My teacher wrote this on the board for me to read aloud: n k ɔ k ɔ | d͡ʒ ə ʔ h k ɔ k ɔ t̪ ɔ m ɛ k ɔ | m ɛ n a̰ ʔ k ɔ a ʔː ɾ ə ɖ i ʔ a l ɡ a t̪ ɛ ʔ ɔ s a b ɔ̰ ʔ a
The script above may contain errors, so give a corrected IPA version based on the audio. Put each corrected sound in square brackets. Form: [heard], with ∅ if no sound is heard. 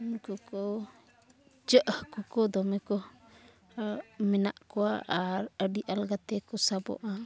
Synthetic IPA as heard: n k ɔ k ɔ | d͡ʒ ə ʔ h k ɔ k ɔ [d̪] ɔ m ɛ k ɔ | m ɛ n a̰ ʔ k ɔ a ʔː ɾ ə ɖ i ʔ a l ɡ a t̪ ɛ [k] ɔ s a b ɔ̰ ʔ a

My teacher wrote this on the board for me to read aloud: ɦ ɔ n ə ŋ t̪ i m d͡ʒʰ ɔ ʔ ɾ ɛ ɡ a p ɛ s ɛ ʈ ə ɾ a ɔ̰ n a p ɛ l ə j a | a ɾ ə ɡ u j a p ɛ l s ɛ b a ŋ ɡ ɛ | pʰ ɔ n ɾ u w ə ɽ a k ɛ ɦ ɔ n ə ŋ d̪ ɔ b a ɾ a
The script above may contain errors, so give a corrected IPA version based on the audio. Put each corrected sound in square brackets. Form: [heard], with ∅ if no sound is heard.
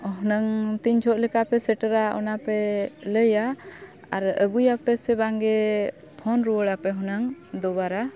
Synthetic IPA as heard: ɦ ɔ n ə ŋ t̪ i [ɲ] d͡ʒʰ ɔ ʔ [l] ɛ [k] a p ɛ s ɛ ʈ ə ɾ a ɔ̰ n a p ɛ l ə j a | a ɾ ə ɡ u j a p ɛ [∅] s ɛ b a ŋ ɡ ɛ | pʰ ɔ n ɾ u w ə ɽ a [p] ɛ ɦ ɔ n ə ŋ d̪ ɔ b a ɾ a

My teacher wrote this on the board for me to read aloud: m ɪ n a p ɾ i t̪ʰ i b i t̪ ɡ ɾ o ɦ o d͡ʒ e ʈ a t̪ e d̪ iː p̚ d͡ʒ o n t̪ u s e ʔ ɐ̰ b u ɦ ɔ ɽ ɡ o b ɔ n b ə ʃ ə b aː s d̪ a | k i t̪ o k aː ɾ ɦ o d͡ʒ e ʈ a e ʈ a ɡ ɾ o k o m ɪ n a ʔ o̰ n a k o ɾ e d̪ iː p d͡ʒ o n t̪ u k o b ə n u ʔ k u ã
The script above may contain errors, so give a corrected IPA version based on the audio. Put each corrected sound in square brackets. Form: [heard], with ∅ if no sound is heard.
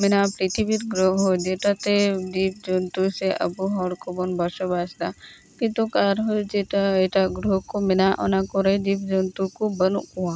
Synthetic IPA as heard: m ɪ n a p ɾ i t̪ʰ i b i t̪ ɡ ɾ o ɦ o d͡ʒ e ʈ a t̪ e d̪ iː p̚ d͡ʒ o n t̪ u s e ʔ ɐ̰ b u ɦ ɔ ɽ [k] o b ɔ n b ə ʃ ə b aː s d̪ a | k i t̪ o k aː ɾ ɦ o d͡ʒ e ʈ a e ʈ a ɡ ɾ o k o m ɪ n a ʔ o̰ n a k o ɾ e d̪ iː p d͡ʒ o n t̪ u k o b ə n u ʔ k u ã

